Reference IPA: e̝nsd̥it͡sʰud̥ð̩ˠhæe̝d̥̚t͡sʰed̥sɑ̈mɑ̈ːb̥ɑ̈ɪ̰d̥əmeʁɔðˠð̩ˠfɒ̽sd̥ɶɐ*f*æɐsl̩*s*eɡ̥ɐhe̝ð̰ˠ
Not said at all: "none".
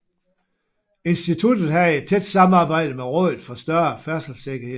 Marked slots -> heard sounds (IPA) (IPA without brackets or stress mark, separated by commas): f, s